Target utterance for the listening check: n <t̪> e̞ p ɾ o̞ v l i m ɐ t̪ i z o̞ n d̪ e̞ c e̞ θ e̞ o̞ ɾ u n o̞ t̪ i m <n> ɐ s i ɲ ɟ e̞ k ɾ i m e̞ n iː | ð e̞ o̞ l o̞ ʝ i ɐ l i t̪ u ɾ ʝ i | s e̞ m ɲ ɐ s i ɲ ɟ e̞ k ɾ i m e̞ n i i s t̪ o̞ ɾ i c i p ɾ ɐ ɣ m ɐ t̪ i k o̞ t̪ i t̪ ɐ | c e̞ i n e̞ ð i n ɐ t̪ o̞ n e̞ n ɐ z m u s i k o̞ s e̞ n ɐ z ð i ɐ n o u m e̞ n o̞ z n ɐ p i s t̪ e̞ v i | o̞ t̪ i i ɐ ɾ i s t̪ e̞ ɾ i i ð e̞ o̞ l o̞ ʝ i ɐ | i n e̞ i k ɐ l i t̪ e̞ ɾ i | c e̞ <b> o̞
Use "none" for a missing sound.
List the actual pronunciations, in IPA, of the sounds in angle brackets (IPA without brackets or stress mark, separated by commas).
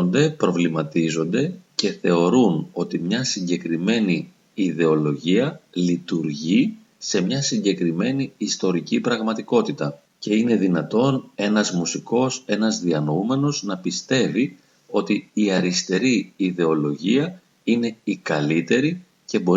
d̪, ɲ, b